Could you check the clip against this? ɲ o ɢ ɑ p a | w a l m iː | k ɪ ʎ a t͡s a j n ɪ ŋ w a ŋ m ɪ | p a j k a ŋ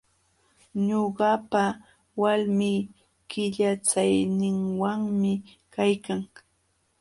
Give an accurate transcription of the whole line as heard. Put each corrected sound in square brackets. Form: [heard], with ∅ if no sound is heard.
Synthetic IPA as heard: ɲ o ɢ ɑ p a | w a l m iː | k ɪ ʎ a t͡s a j n ɪ ŋ w a ŋ m ɪ | [k] a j k a ŋ